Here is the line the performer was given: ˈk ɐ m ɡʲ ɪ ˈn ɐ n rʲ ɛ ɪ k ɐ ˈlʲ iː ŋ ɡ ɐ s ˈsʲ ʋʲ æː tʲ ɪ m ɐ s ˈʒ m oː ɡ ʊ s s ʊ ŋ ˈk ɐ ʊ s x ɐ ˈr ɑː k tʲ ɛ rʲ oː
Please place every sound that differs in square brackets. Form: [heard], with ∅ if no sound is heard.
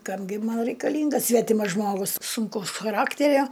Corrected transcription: ˈk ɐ m ɡʲ ɪ [ˈm] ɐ n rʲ ɛ ɪ k ɐ ˈlʲ iː ŋ ɡ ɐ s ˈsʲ ʋʲ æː tʲ ɪ m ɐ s ˈʒ m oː ɡ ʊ s s ʊ ŋ ˈk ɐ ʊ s x ɐ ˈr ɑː k tʲ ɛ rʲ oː